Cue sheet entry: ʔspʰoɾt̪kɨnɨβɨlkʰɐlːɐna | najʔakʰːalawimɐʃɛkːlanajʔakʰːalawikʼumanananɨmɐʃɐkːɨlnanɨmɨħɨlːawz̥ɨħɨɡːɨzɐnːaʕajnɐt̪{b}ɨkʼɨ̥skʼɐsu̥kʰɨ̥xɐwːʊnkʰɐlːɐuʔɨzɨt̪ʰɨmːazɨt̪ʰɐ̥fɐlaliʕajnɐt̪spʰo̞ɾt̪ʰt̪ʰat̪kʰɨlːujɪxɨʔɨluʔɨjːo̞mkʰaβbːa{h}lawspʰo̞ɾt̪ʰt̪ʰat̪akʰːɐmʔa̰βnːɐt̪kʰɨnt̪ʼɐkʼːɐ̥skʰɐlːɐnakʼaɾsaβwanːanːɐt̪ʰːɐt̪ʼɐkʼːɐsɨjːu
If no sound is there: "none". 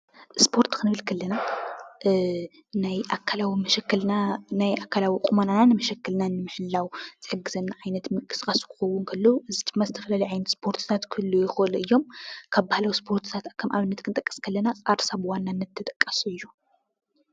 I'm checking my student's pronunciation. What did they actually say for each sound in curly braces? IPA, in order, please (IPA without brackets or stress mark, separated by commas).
m, h